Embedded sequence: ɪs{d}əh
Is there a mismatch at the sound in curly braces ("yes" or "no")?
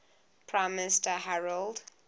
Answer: yes